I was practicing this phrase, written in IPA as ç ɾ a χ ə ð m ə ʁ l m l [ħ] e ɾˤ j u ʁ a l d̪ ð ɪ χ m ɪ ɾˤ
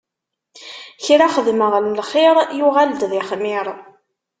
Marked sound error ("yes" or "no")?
yes